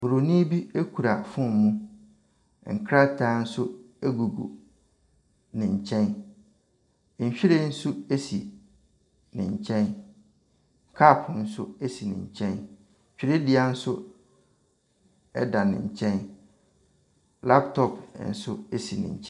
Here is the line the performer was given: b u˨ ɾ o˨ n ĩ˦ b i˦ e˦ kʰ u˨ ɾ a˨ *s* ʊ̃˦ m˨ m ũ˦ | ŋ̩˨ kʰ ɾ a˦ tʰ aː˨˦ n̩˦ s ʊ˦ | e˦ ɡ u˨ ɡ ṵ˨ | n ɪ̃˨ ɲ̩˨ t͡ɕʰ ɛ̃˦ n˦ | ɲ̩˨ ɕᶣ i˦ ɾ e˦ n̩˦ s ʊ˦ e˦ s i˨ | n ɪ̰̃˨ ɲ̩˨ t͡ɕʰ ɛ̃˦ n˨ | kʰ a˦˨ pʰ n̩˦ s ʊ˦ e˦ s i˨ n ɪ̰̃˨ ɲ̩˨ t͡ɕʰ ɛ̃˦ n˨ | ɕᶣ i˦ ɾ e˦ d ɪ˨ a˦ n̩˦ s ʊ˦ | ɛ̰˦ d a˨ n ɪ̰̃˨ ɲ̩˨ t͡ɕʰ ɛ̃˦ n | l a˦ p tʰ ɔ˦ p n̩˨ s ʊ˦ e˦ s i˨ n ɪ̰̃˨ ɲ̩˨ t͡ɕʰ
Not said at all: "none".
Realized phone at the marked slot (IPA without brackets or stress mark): f